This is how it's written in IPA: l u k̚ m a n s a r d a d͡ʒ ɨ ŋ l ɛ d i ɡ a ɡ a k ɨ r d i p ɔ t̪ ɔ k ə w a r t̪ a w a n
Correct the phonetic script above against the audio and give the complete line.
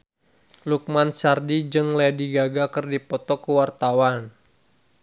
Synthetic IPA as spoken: l u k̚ m a n s a r d i d͡ʒ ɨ ŋ l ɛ d i ɡ a ɡ a k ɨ r d i p ɔ t̪ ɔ k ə w a r t̪ a w a n